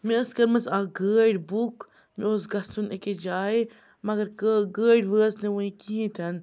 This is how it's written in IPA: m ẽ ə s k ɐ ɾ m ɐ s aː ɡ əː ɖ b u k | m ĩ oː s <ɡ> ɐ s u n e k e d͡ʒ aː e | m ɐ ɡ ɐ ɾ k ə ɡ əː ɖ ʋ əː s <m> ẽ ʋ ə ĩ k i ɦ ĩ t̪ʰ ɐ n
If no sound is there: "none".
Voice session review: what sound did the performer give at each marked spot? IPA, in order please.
ɡ, n

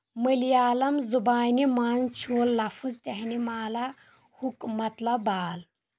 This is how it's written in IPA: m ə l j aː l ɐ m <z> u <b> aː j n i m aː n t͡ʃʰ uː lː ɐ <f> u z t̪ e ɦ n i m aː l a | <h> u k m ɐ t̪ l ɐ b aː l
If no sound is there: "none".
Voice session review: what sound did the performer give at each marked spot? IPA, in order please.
z, b, f, h

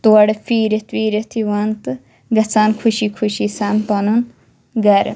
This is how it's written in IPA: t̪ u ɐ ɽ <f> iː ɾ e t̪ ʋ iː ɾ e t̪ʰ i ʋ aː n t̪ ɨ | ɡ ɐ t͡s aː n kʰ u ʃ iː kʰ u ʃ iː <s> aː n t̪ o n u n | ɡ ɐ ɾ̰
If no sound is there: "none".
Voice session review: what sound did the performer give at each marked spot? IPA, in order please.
f, s

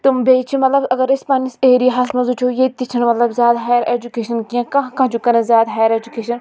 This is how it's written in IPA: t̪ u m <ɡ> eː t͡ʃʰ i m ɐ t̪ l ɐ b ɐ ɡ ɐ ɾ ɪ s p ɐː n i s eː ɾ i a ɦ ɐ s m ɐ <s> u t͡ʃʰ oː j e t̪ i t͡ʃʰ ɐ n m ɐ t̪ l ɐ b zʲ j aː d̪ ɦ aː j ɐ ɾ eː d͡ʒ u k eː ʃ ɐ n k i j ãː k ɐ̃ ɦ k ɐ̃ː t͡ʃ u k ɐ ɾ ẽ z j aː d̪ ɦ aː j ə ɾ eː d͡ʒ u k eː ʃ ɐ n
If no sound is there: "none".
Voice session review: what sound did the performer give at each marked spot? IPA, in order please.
b, z

